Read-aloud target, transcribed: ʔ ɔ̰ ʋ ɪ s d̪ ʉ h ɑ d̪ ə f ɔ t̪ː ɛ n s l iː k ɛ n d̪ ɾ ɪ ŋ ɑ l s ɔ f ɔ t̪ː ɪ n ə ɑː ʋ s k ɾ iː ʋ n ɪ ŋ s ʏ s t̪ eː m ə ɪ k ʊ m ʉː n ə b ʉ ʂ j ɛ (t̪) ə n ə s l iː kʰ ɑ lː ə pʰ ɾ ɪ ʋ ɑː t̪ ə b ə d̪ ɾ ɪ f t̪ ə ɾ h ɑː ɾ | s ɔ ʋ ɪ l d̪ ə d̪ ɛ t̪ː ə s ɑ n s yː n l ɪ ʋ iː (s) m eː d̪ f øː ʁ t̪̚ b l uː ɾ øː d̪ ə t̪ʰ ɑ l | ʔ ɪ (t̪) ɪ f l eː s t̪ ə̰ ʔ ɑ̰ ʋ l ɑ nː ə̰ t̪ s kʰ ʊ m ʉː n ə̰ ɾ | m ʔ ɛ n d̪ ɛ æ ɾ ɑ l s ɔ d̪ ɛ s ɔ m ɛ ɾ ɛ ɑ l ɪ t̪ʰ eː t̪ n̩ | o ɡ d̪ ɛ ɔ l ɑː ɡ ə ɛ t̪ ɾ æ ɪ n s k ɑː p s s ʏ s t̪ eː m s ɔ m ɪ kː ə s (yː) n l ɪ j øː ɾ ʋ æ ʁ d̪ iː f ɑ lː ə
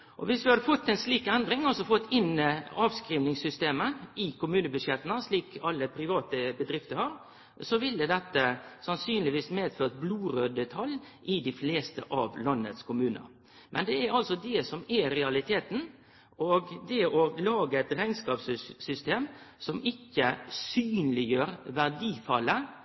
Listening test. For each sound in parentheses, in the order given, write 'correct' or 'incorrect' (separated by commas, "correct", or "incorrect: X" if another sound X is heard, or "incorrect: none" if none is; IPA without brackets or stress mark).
correct, correct, incorrect: d̪, correct